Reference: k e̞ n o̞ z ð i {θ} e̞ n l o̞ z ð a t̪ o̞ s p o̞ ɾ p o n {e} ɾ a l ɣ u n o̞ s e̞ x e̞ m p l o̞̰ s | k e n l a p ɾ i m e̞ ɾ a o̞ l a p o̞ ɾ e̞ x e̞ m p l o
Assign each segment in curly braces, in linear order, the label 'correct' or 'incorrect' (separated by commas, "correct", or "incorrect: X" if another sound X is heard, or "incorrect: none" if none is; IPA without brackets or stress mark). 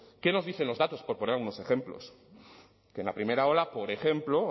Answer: correct, correct